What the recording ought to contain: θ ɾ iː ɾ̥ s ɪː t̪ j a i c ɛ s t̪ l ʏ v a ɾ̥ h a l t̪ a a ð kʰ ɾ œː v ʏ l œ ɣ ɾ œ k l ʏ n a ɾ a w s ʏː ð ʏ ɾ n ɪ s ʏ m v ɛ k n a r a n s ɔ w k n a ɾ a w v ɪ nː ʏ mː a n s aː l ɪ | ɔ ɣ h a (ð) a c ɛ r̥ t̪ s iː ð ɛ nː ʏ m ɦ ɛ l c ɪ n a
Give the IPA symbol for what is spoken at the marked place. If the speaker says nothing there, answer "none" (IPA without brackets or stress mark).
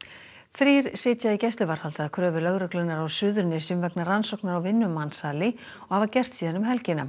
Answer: v